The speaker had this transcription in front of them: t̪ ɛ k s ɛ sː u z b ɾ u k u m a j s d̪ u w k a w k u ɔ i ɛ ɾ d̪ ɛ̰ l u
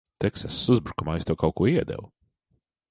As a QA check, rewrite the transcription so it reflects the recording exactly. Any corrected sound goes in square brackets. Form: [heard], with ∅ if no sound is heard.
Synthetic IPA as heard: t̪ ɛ k s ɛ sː u z b ɾ u k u m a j s [t̪] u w k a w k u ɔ i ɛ [∅] d̪ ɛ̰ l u